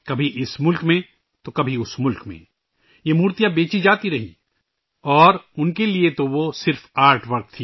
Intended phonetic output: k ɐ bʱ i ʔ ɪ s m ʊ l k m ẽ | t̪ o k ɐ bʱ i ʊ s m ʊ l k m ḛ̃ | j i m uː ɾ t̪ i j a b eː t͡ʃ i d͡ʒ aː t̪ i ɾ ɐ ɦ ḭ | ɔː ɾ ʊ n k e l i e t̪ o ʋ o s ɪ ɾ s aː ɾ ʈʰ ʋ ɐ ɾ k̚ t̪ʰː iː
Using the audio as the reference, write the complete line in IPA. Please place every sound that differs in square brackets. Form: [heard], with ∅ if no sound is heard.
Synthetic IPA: k ɐ bʱ i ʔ ɪ s m ʊ l k m ẽ | t̪ o k ɐ bʱ i ʊ s m ʊ l k m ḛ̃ | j [e] m uː ɾ t̪ i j a b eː t͡ʃ i d͡ʒ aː t̪ i ɾ ɐ ɦ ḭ | ɔː ɾ ʊ n k e l i e t̪ o ʋ o s ɪ ɾ [f] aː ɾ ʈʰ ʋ ɐ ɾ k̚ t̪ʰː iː